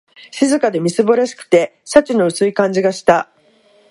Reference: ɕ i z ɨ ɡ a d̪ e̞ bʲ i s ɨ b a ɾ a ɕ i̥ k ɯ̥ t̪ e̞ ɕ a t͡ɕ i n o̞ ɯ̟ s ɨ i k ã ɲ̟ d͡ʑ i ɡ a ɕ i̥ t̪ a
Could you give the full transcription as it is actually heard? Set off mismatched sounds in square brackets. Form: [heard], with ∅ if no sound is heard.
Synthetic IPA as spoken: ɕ i z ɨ [k] a d̪ e̞ [mʲ] i s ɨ b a ɾ a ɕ i̥ k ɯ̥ t̪ e̞ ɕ a t͡ɕ i n o̞ ɯ̟ s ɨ i k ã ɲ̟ d͡ʑ i ɡ a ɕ i̥ t̪ a